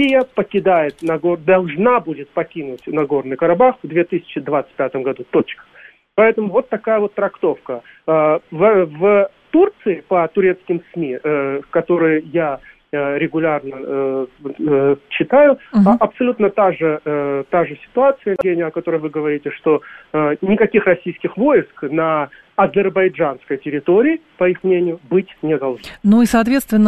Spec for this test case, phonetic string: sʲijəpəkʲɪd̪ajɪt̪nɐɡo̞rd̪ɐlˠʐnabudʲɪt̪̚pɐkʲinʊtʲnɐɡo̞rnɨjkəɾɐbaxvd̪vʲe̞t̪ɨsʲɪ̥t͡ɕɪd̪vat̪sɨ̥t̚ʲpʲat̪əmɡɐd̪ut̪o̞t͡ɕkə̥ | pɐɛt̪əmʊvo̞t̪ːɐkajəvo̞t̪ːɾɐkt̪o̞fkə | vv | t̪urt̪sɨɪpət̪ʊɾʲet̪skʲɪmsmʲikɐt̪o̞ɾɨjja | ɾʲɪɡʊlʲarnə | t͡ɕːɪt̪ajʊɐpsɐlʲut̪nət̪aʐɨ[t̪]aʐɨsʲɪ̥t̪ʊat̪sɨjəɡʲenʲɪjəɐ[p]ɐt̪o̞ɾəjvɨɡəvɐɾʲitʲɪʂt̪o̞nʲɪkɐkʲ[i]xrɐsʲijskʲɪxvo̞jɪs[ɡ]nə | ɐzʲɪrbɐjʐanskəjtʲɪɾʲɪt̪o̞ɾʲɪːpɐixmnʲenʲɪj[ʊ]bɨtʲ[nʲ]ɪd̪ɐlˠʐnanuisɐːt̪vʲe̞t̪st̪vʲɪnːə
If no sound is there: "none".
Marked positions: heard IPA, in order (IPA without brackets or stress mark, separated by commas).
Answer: t̪, k, i, k, ʊ, nʲ